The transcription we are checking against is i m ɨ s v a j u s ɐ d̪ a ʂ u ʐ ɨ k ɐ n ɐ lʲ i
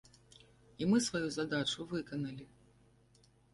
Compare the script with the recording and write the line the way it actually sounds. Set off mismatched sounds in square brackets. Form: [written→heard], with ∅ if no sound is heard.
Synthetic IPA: i m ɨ s v a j u [s→z] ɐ d̪ a [ʂ→t͡ʂ] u [ʐ→v] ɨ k ɐ n ɐ lʲ i